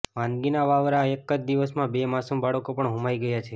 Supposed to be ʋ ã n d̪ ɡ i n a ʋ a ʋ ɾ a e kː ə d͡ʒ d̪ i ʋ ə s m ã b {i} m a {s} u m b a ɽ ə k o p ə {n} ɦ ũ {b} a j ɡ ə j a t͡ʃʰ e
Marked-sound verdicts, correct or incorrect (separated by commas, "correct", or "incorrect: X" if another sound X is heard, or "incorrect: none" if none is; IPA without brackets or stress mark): incorrect: e, correct, incorrect: ɳ, incorrect: m